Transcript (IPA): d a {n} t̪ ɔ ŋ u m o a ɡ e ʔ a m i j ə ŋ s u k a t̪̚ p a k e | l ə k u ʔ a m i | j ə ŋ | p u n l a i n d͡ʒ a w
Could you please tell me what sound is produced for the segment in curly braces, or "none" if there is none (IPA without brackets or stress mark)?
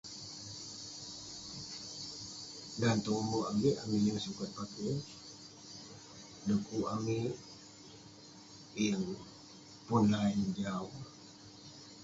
n